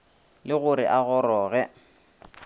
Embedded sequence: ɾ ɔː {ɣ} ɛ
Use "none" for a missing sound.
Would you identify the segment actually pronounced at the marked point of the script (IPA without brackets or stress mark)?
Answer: ɣ